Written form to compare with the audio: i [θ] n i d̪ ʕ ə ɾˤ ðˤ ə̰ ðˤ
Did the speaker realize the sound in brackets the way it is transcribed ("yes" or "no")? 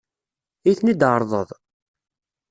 yes